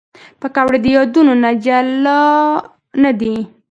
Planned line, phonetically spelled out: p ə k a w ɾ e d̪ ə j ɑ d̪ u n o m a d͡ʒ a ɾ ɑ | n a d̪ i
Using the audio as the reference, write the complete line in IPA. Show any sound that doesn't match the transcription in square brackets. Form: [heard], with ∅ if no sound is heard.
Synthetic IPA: p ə k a w [ɽ] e d̪ ə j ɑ d̪ u n o [n] a d͡ʒ a [l] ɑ | n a d̪ i